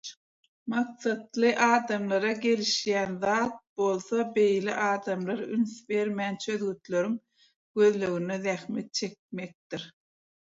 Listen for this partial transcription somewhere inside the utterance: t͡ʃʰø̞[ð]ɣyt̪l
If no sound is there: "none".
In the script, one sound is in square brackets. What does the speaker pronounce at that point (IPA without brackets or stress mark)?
ð